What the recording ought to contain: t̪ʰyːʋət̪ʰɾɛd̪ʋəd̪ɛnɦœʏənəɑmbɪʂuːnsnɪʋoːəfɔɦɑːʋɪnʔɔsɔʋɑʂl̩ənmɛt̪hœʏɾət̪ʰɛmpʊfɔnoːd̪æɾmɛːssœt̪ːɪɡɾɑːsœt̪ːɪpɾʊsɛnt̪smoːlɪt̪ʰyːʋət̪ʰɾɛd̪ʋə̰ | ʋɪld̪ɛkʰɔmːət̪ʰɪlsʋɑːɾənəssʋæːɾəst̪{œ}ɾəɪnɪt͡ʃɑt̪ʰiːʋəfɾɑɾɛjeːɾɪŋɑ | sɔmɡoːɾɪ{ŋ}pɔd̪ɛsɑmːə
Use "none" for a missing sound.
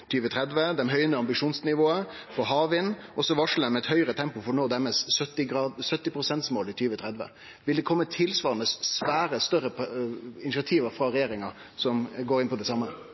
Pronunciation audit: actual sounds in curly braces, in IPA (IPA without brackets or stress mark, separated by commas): œ, n